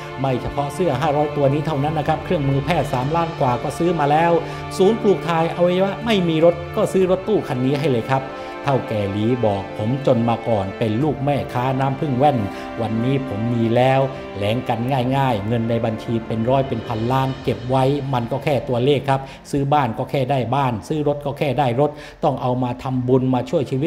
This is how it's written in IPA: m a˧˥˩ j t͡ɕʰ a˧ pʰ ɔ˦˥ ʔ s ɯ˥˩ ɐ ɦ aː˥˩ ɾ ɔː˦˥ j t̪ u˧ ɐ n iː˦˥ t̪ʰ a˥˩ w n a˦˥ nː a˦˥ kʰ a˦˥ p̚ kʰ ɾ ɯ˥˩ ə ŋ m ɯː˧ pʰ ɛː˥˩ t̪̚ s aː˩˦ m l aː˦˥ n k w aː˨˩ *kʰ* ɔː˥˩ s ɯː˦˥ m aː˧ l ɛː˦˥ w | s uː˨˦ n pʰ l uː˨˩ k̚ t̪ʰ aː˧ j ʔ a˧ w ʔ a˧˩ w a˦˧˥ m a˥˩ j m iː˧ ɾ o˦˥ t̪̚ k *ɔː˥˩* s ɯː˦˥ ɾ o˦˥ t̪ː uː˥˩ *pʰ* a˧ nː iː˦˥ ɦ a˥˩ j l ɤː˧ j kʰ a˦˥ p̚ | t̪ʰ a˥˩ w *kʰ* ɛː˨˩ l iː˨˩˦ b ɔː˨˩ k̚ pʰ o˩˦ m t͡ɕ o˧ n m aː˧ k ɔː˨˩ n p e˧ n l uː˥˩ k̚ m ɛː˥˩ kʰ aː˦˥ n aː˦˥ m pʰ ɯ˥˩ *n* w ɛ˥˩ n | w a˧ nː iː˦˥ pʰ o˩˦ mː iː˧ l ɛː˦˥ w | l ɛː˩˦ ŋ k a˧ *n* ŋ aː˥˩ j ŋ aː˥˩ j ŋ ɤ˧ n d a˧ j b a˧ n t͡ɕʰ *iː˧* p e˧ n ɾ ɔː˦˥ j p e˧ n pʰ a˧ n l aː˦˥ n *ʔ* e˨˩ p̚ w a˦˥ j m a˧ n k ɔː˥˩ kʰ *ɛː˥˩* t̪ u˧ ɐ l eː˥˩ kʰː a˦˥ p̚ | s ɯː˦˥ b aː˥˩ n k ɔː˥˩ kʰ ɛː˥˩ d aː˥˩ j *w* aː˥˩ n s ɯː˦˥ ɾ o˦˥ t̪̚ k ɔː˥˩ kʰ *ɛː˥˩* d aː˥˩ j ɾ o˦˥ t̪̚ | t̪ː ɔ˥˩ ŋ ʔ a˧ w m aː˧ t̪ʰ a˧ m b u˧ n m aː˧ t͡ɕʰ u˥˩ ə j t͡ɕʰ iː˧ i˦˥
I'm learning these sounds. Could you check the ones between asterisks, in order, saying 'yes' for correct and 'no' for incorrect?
no, yes, no, no, no, yes, yes, no, yes, no, yes

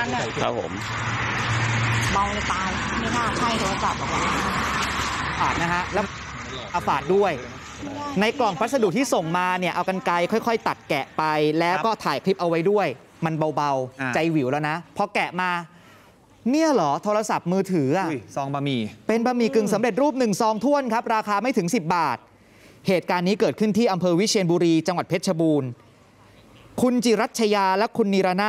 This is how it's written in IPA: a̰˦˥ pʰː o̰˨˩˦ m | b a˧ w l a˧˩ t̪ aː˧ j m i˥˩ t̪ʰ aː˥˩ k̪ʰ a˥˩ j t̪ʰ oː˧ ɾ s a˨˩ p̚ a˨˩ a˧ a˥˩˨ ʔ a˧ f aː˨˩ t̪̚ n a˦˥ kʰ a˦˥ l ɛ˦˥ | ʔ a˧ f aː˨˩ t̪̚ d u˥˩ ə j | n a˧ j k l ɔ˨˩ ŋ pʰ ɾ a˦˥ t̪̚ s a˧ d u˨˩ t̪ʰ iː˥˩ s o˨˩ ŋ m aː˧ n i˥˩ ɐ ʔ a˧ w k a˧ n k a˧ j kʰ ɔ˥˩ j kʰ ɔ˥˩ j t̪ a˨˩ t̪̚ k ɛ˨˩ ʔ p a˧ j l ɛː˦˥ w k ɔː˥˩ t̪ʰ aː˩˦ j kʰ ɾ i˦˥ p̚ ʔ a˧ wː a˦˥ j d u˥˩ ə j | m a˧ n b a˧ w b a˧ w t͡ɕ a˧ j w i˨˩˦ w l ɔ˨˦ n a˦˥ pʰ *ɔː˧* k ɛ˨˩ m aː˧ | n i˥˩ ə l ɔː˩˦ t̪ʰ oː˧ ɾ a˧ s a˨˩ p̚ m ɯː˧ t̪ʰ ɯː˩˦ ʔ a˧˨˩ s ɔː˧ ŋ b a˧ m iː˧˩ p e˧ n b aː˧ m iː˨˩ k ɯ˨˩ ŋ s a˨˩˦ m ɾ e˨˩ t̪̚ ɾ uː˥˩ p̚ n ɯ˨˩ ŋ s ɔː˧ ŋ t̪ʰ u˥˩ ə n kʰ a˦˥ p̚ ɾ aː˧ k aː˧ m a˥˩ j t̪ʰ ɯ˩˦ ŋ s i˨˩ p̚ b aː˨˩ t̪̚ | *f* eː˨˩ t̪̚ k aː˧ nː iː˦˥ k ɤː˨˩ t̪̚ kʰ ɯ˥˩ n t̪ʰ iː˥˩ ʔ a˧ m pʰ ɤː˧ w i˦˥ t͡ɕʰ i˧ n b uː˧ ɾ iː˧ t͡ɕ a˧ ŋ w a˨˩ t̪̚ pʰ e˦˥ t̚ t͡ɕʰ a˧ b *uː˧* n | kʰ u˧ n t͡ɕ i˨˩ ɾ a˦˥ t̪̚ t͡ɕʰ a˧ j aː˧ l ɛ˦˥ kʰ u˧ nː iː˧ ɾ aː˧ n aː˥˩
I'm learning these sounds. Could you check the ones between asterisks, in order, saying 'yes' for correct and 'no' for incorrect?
no, no, yes

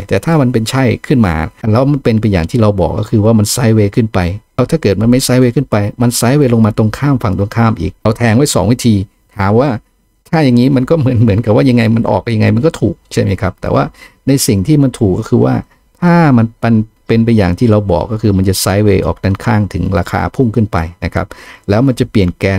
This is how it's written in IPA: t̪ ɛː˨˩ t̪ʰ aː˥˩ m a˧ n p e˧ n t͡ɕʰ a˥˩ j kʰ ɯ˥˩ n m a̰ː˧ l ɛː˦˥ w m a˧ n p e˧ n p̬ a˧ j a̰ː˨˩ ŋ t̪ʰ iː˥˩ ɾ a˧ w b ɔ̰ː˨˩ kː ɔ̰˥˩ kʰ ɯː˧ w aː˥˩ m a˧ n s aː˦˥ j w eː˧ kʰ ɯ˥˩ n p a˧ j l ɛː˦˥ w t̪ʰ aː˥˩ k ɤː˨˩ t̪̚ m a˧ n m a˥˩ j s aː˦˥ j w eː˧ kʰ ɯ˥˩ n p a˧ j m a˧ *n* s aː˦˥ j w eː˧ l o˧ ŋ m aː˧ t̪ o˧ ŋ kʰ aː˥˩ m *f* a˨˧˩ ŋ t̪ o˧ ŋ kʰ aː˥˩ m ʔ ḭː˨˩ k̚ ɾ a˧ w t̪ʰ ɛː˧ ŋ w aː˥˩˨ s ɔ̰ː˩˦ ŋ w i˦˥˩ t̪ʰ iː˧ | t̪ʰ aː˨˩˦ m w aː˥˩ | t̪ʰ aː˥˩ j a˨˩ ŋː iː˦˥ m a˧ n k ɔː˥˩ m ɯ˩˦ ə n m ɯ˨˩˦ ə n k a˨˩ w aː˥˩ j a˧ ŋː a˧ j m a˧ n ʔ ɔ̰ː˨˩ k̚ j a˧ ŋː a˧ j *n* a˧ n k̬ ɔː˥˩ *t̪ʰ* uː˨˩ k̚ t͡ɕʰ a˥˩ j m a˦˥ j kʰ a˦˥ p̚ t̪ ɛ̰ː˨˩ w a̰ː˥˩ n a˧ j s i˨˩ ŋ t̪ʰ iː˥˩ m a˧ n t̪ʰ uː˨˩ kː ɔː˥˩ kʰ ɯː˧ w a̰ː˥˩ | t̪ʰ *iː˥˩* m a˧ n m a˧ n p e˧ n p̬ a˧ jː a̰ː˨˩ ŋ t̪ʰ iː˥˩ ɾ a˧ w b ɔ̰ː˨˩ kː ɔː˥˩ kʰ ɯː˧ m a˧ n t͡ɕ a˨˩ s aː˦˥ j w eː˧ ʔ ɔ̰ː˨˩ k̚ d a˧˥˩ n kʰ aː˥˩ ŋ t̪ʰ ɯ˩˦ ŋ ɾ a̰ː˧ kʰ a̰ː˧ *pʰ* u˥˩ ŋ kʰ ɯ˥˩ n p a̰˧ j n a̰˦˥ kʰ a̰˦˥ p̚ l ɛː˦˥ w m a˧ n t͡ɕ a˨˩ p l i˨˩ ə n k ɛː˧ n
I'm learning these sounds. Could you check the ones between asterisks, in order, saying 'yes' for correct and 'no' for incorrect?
yes, yes, no, yes, no, yes

